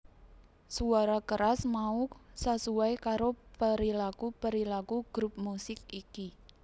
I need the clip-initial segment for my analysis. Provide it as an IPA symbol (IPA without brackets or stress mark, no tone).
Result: s